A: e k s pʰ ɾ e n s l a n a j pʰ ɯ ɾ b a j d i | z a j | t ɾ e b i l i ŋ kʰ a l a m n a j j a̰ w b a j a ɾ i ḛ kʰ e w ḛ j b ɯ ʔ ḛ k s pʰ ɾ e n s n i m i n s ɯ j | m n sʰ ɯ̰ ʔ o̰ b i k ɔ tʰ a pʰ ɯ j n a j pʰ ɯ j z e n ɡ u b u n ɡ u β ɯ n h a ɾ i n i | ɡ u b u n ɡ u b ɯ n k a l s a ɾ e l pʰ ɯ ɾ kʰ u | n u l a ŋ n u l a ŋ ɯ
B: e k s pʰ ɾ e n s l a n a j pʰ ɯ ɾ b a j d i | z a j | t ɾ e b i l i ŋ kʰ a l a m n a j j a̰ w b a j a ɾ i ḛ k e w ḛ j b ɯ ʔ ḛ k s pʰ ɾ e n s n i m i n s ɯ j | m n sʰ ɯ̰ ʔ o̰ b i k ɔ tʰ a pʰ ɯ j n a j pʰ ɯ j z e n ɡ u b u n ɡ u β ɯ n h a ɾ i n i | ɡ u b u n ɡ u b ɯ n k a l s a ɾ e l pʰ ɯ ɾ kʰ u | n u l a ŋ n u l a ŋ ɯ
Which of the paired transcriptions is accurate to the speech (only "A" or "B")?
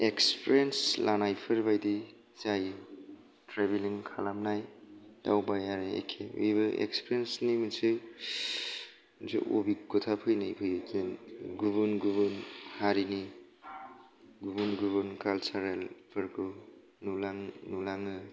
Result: A